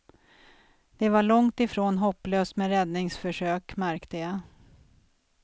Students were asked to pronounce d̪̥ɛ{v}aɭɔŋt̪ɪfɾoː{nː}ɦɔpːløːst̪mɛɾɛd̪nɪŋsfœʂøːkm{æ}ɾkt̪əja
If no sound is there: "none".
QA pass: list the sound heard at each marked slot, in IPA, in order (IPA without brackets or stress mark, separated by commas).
v, n, æ